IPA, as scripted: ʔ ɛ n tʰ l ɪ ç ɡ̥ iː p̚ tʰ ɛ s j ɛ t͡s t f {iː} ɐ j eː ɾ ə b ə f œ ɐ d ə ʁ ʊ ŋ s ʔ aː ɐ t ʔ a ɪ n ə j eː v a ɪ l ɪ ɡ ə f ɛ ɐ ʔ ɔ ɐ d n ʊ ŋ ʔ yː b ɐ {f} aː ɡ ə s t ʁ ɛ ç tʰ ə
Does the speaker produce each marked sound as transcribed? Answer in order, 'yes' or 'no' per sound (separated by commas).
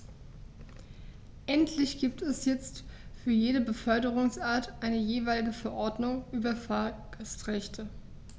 no, yes